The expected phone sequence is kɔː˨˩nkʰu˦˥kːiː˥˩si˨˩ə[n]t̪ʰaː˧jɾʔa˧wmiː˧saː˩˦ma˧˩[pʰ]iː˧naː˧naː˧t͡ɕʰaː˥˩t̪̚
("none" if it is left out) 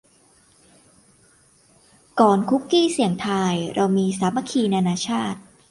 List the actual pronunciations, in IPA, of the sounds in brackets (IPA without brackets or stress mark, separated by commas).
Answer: ŋ, kʰ